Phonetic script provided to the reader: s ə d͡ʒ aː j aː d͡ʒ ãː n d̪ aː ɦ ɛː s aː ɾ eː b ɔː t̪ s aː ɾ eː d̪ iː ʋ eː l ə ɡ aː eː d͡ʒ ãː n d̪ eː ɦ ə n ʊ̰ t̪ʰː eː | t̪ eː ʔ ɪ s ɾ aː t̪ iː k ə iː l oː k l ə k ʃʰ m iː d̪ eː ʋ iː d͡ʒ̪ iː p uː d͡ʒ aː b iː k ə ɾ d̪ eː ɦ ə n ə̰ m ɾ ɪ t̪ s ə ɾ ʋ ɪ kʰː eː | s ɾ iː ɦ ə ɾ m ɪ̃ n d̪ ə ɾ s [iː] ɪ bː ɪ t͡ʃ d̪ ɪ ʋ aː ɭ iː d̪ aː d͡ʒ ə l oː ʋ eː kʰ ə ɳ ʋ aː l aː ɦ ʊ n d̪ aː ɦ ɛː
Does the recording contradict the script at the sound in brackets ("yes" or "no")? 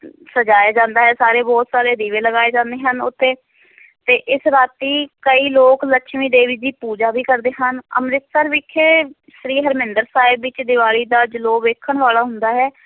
yes